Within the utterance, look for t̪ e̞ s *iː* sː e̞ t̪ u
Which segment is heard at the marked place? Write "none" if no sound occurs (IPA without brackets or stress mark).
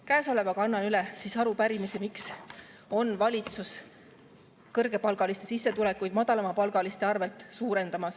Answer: i